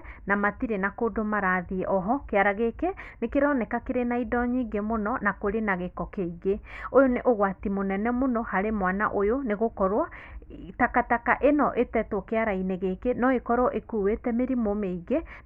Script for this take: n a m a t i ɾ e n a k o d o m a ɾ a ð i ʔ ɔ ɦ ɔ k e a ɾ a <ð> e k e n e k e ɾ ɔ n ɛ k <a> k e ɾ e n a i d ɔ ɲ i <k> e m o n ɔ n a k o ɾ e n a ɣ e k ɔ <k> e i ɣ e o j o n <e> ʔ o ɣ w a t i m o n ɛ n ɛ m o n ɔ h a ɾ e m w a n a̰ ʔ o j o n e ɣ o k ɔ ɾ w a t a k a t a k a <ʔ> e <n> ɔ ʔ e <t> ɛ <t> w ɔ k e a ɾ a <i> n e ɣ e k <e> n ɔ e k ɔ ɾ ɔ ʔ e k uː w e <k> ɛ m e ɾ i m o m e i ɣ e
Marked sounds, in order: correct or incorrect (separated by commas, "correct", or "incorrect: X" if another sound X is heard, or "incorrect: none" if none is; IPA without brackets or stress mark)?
incorrect: ɣ, correct, incorrect: ɡ, correct, correct, correct, correct, correct, correct, correct, correct, incorrect: t